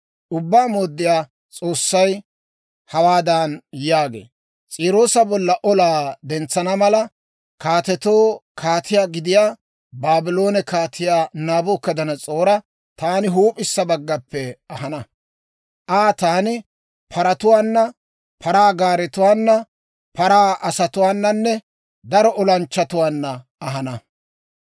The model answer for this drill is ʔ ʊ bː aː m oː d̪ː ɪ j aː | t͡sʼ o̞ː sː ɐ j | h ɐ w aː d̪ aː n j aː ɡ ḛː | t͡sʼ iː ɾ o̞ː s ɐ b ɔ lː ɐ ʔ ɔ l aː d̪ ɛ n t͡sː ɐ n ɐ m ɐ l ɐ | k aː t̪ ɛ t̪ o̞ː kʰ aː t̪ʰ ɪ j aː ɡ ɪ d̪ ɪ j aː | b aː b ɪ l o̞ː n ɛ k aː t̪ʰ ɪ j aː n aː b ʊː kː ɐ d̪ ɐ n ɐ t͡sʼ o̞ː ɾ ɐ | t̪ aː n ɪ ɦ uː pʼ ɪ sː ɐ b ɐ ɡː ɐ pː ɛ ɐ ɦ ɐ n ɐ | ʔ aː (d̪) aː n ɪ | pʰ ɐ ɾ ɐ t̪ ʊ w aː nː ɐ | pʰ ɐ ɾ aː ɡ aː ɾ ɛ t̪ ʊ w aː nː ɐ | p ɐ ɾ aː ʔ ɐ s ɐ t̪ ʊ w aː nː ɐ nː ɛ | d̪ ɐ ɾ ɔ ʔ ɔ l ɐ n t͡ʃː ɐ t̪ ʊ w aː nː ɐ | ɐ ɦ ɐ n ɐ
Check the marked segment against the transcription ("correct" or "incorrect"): incorrect